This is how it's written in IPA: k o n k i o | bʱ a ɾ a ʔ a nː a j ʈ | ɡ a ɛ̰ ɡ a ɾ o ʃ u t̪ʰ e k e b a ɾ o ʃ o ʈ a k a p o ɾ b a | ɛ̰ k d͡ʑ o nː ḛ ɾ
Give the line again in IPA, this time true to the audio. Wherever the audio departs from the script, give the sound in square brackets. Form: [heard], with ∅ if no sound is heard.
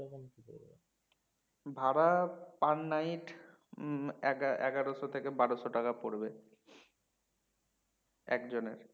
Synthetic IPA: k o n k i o | bʱ a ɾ a [p] a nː a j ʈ | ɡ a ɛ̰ ɡ a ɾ o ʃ [o] t̪ʰ e k e b a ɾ o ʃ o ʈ a k a p o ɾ b [e] | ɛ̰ k d͡ʑ o [n] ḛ ɾ